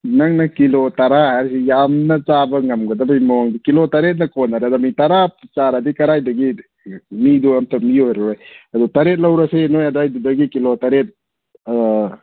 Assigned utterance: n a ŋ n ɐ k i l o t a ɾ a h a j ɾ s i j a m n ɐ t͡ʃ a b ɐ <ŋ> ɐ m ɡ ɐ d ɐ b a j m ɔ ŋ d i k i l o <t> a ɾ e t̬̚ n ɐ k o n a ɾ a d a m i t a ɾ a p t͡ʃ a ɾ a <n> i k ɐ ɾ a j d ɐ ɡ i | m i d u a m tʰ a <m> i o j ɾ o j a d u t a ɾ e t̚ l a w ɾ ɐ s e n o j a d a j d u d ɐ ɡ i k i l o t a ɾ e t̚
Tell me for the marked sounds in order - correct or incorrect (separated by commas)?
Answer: correct, correct, incorrect, correct